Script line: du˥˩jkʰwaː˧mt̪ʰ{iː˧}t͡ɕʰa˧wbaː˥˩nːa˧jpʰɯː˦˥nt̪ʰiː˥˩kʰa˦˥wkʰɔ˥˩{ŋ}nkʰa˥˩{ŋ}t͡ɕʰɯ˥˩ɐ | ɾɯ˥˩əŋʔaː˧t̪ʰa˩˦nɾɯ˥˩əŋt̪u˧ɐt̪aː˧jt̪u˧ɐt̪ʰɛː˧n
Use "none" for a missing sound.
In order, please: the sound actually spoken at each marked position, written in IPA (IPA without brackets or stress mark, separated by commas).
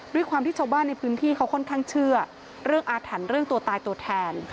iː˥˩, none, ŋ